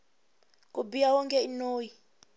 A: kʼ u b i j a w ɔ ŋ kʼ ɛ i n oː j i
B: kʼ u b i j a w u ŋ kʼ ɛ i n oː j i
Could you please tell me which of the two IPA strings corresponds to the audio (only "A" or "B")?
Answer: A